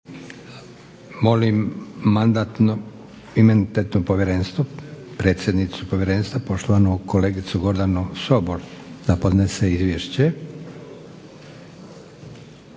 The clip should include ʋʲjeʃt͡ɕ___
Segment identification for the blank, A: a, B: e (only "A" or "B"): B